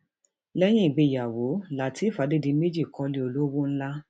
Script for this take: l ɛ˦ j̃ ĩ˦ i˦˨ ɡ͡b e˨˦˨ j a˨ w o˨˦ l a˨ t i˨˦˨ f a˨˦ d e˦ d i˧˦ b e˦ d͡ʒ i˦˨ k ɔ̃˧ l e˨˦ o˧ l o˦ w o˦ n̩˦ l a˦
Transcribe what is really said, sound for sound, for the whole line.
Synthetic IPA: l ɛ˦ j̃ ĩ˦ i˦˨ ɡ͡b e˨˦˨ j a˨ w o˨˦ l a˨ t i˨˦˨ f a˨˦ d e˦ d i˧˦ m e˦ d͡ʒ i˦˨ k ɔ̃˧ l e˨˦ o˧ l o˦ w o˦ n̩˦ l a˦